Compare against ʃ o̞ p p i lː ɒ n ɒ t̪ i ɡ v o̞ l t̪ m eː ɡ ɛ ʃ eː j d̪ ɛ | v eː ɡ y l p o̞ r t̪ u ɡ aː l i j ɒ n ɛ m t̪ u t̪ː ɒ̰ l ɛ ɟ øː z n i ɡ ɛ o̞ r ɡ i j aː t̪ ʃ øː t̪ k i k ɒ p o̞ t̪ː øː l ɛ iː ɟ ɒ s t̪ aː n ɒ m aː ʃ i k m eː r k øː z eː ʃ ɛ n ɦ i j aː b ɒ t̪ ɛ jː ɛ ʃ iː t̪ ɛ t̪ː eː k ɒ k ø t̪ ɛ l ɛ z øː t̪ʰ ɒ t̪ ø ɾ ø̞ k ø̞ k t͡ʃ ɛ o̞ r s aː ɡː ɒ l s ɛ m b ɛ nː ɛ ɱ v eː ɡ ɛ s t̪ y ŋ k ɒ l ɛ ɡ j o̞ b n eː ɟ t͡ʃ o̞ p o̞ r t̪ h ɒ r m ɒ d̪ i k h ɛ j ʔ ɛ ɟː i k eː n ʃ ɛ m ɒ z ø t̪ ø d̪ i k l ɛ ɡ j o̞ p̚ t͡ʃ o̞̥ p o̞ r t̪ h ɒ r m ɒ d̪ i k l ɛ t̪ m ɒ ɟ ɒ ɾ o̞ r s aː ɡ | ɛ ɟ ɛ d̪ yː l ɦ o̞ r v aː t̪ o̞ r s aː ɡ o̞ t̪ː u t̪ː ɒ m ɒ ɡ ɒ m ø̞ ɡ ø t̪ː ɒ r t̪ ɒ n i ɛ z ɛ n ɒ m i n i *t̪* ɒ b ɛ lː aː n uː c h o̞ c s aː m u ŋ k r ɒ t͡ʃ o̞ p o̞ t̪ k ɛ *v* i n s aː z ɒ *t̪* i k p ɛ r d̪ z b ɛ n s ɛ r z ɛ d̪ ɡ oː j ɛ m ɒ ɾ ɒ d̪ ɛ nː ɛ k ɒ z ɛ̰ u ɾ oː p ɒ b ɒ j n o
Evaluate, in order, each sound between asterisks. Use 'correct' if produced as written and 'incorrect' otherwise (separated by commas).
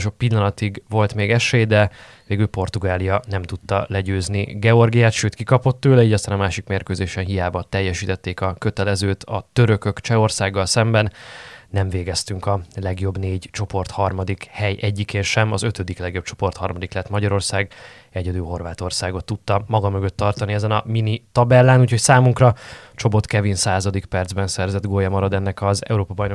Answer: correct, correct, incorrect